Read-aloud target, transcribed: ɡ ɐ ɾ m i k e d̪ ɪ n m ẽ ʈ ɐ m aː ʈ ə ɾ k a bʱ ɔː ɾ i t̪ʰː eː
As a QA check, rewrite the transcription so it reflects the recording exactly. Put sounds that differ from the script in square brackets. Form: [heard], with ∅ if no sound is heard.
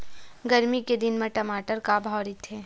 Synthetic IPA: ɡ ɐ ɾ m i k e d̪ ɪ n m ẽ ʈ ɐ m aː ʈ ə ɾ k a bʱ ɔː ɾ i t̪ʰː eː